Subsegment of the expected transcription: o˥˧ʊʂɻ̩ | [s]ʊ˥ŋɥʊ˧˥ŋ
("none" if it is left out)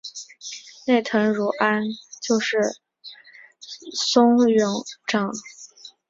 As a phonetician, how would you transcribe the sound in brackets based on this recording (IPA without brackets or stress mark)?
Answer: s